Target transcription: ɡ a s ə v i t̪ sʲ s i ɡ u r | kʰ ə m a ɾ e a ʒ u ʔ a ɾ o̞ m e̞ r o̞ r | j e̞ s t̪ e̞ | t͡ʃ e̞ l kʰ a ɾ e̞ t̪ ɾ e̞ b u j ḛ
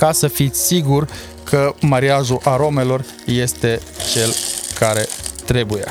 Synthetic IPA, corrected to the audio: k a s ə f i t̪ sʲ s i ɡ u r | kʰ ə m a ɾ i a ʒ u ʔ a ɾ o̞ m e̞ l o̞ r | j e̞ s t̪ e̞ | t͡ʃ e̞ l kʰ a ɾ e̞ t̪ ɾ e̞ b u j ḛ